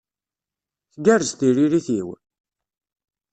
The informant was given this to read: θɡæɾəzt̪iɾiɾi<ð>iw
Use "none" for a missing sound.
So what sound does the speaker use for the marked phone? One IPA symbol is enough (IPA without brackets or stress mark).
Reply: θ